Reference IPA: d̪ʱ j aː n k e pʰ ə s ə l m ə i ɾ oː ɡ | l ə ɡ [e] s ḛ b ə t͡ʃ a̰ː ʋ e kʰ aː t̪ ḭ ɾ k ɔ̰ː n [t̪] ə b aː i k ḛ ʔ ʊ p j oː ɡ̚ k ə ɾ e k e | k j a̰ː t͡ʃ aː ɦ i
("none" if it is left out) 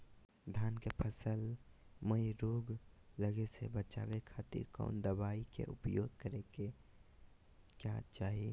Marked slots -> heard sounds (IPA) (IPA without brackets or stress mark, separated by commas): e, d̪